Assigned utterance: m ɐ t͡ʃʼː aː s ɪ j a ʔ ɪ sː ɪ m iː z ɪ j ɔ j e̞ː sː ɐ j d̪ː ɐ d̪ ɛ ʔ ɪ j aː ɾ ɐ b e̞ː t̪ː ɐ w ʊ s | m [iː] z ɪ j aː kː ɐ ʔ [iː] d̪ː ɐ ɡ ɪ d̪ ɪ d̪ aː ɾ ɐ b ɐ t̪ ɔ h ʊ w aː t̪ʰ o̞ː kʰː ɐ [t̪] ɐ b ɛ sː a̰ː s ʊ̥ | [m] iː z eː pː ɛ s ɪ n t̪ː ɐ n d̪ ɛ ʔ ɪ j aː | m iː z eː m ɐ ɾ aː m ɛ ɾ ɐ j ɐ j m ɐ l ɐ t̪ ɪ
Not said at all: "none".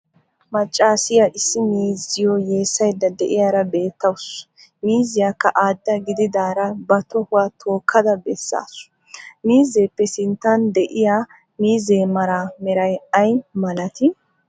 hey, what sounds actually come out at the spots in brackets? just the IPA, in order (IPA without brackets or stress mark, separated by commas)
iː, aː, d̪, m